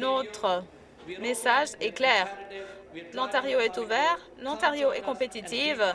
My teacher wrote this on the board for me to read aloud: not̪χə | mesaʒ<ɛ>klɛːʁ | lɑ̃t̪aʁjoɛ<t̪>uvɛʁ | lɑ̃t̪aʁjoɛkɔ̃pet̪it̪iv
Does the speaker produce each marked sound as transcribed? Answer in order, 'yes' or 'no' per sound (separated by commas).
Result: yes, yes